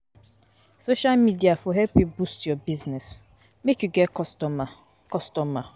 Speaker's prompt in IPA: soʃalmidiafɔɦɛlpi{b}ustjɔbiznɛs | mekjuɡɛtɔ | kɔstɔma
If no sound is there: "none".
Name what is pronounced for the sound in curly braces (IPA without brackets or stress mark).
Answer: b